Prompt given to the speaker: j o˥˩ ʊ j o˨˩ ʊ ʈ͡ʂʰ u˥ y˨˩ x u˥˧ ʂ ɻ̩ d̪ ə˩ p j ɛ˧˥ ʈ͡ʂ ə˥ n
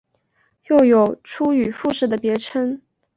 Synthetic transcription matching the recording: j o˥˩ ʊ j o˨˩ ʊ ʈ͡ʂʰ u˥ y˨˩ f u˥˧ ʂ ɻ̩ d̪ ə˩ p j ɛ˧˥ ʈ͡ʂʰ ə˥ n